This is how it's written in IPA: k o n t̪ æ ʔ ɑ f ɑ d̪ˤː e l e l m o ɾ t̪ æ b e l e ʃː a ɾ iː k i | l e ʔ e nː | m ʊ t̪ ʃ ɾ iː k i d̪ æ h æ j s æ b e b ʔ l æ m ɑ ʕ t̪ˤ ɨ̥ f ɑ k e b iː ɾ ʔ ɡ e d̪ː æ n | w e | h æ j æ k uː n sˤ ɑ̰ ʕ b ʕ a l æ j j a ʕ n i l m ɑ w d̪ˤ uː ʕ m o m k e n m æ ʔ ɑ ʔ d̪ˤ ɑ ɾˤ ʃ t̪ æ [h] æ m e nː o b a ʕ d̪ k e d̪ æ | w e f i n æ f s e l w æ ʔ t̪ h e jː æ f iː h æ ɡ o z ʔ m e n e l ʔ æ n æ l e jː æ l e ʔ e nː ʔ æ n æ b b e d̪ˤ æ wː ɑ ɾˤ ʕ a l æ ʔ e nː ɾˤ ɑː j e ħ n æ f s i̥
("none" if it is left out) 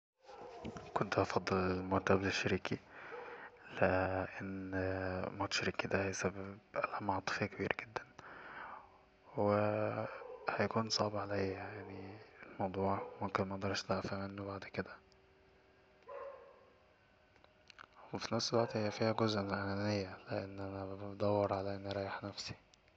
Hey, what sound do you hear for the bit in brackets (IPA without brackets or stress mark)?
f